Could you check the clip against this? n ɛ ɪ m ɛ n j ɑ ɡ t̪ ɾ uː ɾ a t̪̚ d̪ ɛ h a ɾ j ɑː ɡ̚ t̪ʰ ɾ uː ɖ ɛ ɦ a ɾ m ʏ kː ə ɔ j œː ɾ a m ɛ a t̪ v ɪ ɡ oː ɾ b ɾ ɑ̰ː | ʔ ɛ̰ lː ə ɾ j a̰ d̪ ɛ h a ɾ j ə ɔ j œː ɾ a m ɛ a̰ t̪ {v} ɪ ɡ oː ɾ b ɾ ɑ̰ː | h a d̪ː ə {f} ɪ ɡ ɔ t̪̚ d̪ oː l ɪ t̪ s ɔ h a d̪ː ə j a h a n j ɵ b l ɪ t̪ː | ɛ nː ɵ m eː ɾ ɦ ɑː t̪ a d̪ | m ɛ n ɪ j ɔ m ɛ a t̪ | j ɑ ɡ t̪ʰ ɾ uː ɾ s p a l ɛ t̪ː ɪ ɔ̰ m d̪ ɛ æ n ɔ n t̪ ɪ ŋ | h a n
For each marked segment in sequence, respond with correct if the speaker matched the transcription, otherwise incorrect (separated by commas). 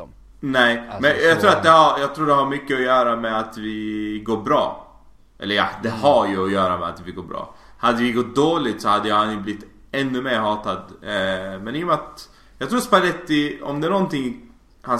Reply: correct, incorrect